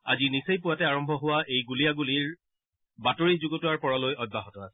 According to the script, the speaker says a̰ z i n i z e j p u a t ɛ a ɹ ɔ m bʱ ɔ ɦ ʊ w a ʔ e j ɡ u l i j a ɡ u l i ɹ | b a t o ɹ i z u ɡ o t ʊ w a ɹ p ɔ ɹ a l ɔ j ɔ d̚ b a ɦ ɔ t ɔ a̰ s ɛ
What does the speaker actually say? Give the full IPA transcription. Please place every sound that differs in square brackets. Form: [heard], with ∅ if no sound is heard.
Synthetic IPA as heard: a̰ z i n i [s] e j p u a t ɛ a ɹ ɔ m bʱ ɔ ɦ ʊ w a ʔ e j ɡ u l i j a ɡ u l i ɹ | b a t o ɹ i z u ɡ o t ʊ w a ɹ p ɔ ɹ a l [o] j ɔ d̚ b a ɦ ɔ t ɔ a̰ s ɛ